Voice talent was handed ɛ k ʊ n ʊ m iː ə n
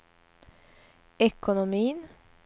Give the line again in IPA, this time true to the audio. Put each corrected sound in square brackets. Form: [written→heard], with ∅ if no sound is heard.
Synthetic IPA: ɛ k ʊ n ʊ m iː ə n